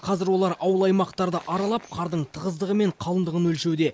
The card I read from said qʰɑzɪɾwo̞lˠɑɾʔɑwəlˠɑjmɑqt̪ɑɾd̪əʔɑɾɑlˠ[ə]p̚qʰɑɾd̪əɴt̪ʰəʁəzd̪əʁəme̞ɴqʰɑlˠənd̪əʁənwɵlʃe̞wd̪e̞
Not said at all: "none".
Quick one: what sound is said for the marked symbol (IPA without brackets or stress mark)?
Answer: ɑ